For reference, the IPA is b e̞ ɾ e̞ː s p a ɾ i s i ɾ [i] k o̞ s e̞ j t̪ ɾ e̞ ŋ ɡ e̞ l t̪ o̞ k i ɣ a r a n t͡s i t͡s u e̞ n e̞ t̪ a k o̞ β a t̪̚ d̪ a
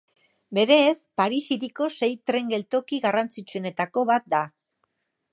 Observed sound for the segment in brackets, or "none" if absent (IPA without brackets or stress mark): i